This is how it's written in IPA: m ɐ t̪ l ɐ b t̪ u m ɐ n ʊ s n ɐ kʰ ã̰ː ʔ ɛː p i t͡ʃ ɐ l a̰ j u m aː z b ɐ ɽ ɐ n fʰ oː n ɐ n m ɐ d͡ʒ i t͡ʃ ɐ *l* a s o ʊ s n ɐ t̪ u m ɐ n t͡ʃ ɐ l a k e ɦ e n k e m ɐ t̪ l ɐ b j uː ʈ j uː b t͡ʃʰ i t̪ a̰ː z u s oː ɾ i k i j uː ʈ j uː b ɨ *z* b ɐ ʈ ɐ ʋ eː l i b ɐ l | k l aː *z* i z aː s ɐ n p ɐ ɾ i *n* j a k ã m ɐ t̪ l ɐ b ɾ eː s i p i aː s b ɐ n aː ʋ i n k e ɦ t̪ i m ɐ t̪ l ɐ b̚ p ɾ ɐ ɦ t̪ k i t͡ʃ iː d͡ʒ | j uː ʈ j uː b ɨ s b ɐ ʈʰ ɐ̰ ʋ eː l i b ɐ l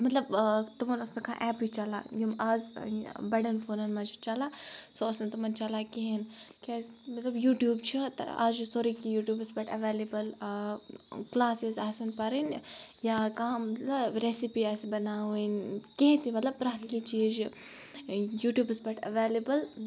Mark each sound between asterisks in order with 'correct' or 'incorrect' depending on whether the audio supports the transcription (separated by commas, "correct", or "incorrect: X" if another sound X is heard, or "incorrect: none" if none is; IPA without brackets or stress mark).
correct, incorrect: s, incorrect: s, correct